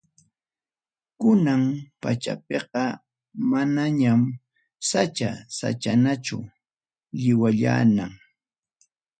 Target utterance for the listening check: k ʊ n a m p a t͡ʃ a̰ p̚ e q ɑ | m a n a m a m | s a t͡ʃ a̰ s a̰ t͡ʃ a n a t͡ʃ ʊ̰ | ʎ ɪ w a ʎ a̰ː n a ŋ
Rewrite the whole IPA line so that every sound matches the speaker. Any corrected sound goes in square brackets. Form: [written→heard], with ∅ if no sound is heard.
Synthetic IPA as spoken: k ʊ n a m p a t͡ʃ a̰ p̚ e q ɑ | m a n a [m→ɲ] a m | s a t͡ʃ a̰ s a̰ t͡ʃ a n a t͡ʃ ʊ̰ | ʎ ɪ w a ʎ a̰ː n a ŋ